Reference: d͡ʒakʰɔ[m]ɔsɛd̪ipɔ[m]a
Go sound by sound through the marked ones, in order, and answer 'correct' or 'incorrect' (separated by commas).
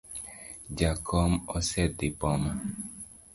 correct, correct